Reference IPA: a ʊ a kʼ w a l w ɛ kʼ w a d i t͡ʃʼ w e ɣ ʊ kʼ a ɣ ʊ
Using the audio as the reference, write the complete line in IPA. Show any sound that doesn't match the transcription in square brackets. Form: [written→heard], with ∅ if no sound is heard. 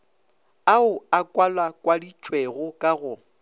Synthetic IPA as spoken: a ʊ a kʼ w a l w [ɛ→a] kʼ w a d i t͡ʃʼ w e ɣ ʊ kʼ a ɣ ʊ